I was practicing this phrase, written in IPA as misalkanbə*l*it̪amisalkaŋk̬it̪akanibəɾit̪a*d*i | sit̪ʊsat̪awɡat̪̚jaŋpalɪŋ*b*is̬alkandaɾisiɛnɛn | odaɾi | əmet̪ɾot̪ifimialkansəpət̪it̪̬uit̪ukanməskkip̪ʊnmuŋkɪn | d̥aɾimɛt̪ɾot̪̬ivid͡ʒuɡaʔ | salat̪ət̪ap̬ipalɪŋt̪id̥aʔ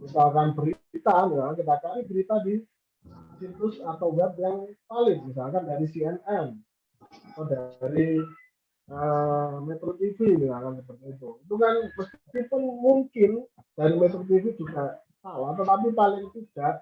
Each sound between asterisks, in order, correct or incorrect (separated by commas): incorrect, correct, incorrect